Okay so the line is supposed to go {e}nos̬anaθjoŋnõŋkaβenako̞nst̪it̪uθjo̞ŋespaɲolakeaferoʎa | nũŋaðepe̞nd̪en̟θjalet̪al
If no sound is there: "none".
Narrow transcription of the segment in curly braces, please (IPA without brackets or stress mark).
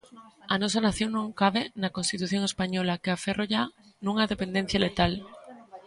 a